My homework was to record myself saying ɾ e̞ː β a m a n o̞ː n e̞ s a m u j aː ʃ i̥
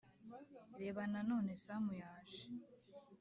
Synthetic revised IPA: ɾ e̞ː β a n a n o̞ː n e̞ s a m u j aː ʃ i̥

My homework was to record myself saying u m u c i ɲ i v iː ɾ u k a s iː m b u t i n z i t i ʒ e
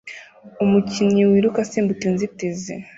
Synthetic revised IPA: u m u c i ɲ i w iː ɾ u k a s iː m b u t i n z i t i z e

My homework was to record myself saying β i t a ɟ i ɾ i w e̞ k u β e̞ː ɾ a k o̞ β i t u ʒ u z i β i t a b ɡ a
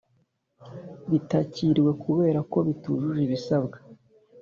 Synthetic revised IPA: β i t a c i ɾ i w e̞ k u β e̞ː ɾ a k o̞ β i t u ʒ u ʒ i β i s a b ɡ a

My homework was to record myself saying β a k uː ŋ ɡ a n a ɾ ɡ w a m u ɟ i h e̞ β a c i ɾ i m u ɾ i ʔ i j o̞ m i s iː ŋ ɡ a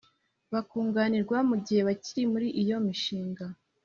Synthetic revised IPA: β a k uː ŋ ɡ a n i ɾ ɡ w a m u ɟ i h e̞ β a c i ɾ i m u ɾ i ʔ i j o̞ m i ʃ iː ŋ ɡ a

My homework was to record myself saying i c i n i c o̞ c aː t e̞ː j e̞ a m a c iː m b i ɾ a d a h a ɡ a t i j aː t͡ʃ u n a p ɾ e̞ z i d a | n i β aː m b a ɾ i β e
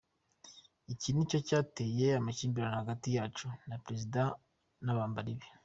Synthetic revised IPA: i c i n i c o̞ c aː t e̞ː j e̞ a m a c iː m b i ɾ a n a h a ɡ a t i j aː t͡ʃ u n a p ɾ e̞ z i d a | n a β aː m b a ɾ i β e

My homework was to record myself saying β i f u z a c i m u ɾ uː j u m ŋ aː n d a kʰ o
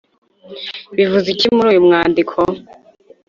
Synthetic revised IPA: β i v u z i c i m u ɾ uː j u m ŋ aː n d i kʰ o

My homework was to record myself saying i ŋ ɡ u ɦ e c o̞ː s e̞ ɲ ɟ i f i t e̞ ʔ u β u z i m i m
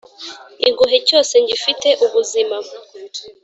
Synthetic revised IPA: i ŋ ɡ u ɦ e c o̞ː s e̞ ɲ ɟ i f i t e̞ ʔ u β u z i m a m

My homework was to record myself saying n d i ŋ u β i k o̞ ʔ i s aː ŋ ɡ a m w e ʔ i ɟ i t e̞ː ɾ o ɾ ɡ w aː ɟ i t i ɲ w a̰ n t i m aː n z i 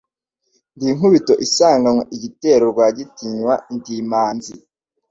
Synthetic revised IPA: n d i ŋ u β i t o̞ ʔ i s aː ŋ ɡ a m w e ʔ i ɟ i t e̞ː ɾ o ɾ ɡ w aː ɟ i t i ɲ w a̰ n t i m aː n z i

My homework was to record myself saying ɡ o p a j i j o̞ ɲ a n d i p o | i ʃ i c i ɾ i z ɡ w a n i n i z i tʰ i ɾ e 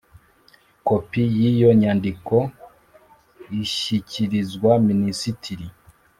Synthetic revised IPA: k o p i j i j o̞ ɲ a n d i k o | i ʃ i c i ɾ i z ɡ w a m i n i s i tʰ i ɾ i

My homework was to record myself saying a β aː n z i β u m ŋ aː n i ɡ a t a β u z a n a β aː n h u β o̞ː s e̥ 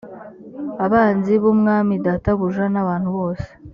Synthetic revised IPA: a β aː n z i β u m ŋ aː m i d a t a β u ʒ a n a β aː n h u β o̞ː s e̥

